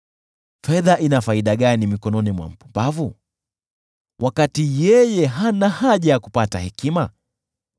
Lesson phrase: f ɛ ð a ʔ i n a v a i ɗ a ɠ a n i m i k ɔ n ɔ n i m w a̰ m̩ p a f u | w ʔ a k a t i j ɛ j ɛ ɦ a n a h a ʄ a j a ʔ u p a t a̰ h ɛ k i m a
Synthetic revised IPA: f ɛ ð a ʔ i n a f a i ɗ a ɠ a n i m i k ɔ n ɔ n i m w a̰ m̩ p a v u | w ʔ a k a t i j ɛ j ɛ ɦ a n a h a ʄ a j a k u p a t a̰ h ɛ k i m a